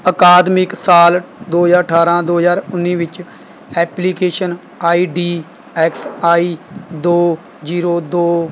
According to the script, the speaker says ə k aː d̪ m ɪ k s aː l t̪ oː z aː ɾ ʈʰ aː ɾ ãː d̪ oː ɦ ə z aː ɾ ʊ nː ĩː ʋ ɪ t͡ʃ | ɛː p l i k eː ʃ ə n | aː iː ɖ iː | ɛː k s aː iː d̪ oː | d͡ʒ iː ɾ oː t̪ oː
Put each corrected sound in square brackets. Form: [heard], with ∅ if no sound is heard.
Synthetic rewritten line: ə k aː d̪ m ɪ k s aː l [d̪] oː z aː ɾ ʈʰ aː ɾ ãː d̪ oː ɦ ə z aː ɾ ʊ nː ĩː ʋ ɪ t͡ʃ | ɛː p l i k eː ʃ ə n | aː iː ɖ iː | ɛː k s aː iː d̪ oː | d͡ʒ iː ɾ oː [d̪] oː

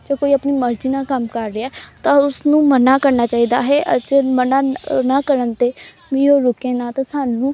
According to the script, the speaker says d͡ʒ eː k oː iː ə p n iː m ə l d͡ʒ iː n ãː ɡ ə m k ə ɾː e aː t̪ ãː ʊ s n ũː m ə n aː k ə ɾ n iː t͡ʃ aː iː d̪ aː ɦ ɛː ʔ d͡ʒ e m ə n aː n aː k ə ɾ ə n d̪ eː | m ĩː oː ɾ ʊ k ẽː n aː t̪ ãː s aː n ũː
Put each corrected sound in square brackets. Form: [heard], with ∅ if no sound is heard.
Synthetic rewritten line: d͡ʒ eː k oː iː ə p n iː m ə [ɾ] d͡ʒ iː n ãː [k] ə m k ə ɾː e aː t̪ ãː ʊ s n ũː m ə n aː k ə ɾ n [aː] t͡ʃ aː iː d̪ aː ɦ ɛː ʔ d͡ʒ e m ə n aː n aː k ə ɾ ə n [t̪] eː | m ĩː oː ɾ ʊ k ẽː n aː t̪ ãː s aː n ũː

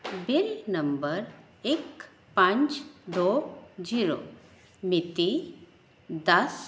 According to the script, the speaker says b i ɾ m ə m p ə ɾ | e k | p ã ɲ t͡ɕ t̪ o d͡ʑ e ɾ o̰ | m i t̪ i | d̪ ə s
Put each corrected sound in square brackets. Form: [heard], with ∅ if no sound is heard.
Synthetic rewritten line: b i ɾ [n] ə m [b] ə ɾ | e k | p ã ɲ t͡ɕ [d̪] o d͡ʑ [i] ɾ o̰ | m i t̪ i | d̪ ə s

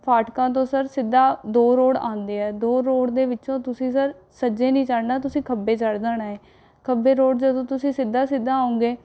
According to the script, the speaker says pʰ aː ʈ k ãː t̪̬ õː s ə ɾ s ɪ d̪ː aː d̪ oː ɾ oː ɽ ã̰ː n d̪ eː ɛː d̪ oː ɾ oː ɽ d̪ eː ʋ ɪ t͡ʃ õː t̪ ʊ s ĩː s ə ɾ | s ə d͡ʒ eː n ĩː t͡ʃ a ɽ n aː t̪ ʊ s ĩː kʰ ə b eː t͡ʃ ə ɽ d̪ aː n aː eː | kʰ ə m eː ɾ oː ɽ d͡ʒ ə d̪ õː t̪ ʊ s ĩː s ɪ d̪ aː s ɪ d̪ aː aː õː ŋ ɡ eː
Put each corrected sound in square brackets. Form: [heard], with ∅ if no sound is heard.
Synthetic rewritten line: pʰ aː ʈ k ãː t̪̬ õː s ə ɾ s ɪ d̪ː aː d̪ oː ɾ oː ɽ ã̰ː n d̪ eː ɛː d̪ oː ɾ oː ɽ d̪ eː ʋ ɪ t͡ʃ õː t̪ ʊ s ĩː s ə ɾ | s ə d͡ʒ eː n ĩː t͡ʃ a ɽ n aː t̪ ʊ s ĩː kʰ ə b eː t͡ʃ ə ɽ d̪ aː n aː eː | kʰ ə [b] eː ɾ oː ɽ d͡ʒ ə d̪ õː t̪ ʊ s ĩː s ɪ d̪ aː s ɪ d̪ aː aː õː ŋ ɡ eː

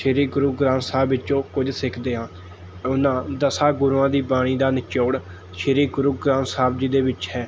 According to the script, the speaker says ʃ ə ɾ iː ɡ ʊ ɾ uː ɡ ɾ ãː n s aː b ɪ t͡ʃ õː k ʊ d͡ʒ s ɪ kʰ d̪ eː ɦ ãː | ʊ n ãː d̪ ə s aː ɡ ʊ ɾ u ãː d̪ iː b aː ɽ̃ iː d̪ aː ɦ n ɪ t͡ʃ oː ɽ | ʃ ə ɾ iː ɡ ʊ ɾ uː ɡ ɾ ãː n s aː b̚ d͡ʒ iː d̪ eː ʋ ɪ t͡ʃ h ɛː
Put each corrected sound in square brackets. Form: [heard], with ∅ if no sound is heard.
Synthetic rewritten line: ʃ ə ɾ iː ɡ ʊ ɾ uː ɡ ɾ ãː n s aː b ɪ t͡ʃ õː k ʊ d͡ʒ s ɪ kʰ d̪ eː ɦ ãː | ʊ n ãː d̪ ə s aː ɡ ʊ ɾ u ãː d̪ iː b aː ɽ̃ iː d̪ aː [∅] n ɪ t͡ʃ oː ɽ | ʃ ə ɾ iː ɡ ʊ ɾ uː ɡ ɾ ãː n s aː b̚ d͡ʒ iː d̪ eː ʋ ɪ t͡ʃ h ɛː

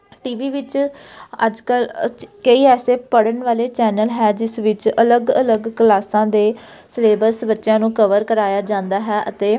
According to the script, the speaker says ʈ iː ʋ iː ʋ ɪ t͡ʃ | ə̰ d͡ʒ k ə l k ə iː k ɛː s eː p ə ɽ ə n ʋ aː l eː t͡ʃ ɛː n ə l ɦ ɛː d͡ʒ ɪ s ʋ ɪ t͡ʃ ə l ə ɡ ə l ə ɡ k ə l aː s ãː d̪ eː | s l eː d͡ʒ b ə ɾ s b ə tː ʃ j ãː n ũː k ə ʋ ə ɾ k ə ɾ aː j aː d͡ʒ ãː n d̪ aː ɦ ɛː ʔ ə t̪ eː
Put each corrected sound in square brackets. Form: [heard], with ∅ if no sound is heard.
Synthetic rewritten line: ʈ iː ʋ iː ʋ ɪ t͡ʃ | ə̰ d͡ʒ k ə l k ə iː [∅] ɛː s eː p ə ɽ ə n ʋ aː l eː t͡ʃ ɛː n ə l ɦ ɛː d͡ʒ ɪ s ʋ ɪ t͡ʃ ə l ə ɡ ə l ə ɡ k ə l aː s ãː d̪ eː | s l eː [∅] b ə ɾ s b ə tː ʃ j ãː n ũː k ə ʋ ə ɾ k ə ɾ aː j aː d͡ʒ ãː n d̪ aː ɦ ɛː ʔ ə t̪ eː

